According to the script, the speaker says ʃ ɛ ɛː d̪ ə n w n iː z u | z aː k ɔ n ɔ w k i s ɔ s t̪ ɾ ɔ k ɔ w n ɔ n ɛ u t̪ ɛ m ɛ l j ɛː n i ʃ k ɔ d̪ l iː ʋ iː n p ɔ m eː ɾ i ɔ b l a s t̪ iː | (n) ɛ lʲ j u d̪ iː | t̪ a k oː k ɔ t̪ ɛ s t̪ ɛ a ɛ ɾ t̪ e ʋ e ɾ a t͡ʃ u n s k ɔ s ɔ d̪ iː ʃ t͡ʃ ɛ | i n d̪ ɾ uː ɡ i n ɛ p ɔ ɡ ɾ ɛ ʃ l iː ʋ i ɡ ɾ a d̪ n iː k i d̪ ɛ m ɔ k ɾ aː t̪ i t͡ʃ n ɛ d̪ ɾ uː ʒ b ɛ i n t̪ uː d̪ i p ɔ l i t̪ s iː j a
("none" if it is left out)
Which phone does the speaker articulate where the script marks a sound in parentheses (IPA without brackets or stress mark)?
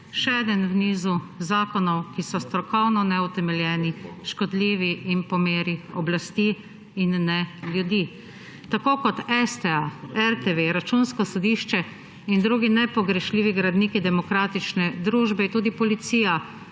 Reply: nː